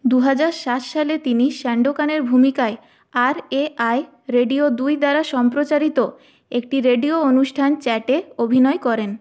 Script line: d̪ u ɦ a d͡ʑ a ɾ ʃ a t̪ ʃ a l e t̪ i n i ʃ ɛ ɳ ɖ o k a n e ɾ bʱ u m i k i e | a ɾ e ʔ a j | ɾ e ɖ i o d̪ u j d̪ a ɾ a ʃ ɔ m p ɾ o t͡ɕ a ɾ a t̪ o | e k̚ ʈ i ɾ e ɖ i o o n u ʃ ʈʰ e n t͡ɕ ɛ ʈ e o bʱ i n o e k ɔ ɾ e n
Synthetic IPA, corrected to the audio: d̪ u ɦ a d͡ʑ a ɾ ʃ a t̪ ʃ a l e t̪ i n i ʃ ɛ ɳ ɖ o k a n e ɾ bʱ u m i k a e | a ɾ e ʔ a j | ɾ e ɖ i o d̪ u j d̪ a ɾ a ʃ ɔ m p ɾ o t͡ɕ a ɾ i t̪ o | e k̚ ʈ i ɾ e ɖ i o o n u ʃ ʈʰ a n t͡ɕ ɛ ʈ e o bʱ i n ɔ e k ɔ ɾ e n